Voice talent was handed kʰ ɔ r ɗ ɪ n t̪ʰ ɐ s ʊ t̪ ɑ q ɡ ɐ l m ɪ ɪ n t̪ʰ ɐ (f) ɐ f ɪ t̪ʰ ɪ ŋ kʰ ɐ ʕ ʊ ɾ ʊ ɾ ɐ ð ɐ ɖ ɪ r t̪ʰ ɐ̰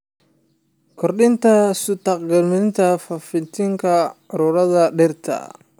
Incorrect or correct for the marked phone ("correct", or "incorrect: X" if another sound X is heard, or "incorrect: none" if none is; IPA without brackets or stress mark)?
correct